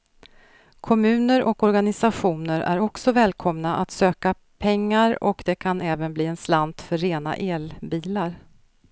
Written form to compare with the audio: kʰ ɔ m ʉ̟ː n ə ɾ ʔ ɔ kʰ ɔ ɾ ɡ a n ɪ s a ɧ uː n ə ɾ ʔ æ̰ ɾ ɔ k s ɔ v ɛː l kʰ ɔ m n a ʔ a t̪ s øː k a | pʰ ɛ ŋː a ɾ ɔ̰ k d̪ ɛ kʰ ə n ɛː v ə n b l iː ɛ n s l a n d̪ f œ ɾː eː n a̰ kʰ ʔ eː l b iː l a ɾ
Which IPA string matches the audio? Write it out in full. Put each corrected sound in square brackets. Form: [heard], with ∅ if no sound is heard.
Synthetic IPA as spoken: kʰ ɔ m ʉ̟ː n ə ɾ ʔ ɔ [k] ɔ ɾ ɡ a n ɪ s a ɧ uː n ə ɾ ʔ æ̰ ɾ ɔ k s ɔ v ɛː l kʰ ɔ m n a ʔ a t̪ s øː k a | pʰ ɛ ŋː a ɾ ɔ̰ k d̪ ɛ kʰ [a] n ɛː v ə n b l iː ɛ n s l a n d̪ f œ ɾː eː n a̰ [∅] ʔ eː l b iː l a ɾ